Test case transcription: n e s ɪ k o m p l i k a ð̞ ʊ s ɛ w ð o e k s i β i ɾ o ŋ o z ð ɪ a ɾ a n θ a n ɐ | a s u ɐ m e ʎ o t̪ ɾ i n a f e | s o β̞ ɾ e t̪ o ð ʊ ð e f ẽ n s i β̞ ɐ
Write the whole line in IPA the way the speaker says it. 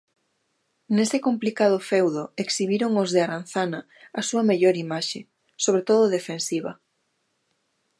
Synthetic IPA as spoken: n e s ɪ k o m p l i k a ð̞ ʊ f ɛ w ð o e k s i β i ɾ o ŋ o z ð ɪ a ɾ a n θ a n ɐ | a s u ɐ m e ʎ o ɾ i m a ʃ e | s o β̞ ɾ e t̪ o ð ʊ ð e f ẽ n s i β̞ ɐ